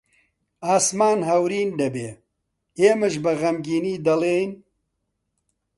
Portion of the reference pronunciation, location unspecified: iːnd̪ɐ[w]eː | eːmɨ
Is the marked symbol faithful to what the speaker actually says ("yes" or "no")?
no